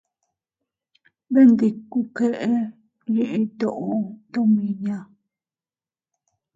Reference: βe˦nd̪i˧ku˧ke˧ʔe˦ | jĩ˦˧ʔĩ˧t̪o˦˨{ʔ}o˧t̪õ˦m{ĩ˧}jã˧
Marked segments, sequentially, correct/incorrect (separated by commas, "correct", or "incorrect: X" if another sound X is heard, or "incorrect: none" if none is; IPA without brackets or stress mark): correct, correct